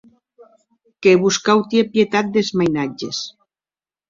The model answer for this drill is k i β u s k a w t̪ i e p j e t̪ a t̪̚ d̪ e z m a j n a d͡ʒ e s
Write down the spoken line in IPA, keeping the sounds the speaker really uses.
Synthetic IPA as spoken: k e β u s k a w t̪ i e p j e t̪ a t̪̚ d̪ e z m a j n a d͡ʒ e s